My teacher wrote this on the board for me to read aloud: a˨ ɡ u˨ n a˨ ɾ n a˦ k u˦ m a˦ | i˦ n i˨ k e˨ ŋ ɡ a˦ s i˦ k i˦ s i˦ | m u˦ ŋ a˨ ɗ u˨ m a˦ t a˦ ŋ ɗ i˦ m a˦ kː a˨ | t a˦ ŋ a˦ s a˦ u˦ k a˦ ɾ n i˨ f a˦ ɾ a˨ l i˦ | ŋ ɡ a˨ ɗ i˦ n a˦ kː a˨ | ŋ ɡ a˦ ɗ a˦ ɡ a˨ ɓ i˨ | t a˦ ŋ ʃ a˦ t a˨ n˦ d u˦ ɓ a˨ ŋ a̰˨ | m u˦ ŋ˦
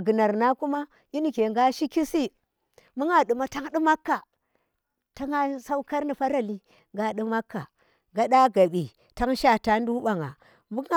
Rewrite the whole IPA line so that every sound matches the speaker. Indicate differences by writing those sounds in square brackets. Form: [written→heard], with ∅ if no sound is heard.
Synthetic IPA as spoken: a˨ ɡ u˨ n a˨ ɾ n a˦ k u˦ m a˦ | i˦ n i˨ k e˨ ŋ ɡ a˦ [s→ʃ] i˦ k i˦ s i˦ | m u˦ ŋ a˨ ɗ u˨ m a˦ t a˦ ŋ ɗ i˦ m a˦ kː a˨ | t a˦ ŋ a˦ s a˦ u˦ k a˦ ɾ n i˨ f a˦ ɾ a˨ l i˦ | ŋ ɡ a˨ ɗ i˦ [n→m] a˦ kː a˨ | ŋ ɡ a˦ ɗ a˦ ɡ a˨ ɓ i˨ | t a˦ ŋ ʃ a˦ t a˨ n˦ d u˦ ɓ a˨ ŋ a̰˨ | m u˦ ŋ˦